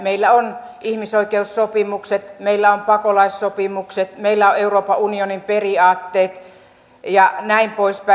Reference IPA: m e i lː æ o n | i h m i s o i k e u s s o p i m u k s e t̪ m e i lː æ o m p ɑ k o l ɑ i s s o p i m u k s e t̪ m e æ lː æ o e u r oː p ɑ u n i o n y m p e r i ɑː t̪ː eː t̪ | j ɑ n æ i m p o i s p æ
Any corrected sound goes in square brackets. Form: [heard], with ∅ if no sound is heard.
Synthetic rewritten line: m e i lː æ o n | i h m i s o i k e u s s o p i m u k s e t̪ m e i lː æ o m p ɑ k o l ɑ i s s o p i m u k s e t̪ m e [i] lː æ o e u r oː p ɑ u n i o n [i] m p e r i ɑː t̪ː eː t̪ | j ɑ n æ i m p o i s p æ